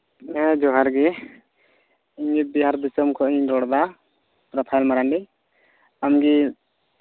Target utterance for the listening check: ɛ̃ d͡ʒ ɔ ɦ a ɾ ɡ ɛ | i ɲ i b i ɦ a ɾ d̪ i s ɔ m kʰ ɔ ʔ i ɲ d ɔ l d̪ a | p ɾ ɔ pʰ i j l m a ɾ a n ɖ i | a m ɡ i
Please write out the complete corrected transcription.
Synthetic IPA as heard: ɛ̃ d͡ʒ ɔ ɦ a ɾ ɡ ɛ | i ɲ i b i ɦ a ɾ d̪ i s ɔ m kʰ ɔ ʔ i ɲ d ɔ ɽ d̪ a | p ɾ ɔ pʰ a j l m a ɾ a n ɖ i | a m ɡ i